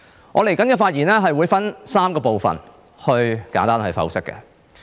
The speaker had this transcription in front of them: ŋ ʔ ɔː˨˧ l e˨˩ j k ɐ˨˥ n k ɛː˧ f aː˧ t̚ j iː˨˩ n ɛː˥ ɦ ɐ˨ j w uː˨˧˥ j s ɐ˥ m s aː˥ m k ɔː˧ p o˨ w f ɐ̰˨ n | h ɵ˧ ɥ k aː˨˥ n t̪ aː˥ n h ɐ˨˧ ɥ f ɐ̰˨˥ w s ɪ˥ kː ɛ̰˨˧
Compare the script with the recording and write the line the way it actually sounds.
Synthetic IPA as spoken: ŋ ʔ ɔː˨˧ l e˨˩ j k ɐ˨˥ n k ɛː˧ f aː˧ t̚ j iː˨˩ n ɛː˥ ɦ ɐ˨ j w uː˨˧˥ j f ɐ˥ n s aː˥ m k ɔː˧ p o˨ w f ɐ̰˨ n | h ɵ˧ ɥ k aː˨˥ n t̪ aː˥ n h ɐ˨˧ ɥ f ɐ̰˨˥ w s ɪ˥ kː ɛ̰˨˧

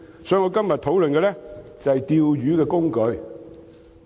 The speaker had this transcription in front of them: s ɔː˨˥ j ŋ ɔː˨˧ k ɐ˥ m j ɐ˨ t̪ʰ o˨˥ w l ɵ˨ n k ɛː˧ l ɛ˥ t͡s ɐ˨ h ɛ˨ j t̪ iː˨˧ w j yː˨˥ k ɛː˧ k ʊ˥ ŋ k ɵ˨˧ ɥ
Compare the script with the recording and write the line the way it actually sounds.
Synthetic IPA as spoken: s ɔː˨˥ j ŋ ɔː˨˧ k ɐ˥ m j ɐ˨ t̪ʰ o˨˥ w l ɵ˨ n k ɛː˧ l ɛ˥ t͡s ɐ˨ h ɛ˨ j t̪ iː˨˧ w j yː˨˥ k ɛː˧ k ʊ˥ ŋ k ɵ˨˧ ɥ

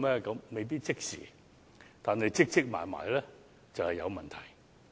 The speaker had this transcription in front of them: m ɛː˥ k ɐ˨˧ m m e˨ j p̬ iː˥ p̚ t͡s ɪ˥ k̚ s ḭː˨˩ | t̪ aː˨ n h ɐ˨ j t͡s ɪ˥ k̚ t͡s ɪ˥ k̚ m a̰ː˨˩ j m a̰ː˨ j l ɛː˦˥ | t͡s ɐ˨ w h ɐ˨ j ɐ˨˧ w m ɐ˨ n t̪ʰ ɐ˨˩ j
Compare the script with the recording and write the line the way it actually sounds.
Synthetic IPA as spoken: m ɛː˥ k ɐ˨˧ m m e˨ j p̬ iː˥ t̚ t͡s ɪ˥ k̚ s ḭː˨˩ | t̪ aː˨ n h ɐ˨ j t͡s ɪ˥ k̚ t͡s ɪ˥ k̚ m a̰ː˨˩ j m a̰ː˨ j l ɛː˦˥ | t͡s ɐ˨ w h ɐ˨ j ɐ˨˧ w m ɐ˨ n t̪ʰ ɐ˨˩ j

